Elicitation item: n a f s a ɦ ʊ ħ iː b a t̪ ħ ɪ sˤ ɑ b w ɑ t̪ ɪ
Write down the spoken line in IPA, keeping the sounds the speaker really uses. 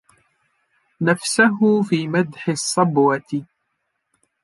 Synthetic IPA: n a f s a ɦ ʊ f iː m a d̪ ħ ɪ sˤː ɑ b w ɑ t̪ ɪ